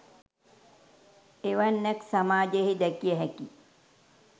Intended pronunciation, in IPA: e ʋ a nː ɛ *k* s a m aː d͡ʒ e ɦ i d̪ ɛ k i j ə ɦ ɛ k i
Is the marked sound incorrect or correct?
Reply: correct